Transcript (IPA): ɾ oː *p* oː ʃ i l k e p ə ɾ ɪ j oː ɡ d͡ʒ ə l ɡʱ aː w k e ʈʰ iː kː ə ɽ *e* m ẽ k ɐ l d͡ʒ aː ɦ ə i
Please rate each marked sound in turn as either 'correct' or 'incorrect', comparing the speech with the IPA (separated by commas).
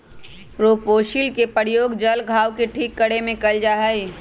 correct, correct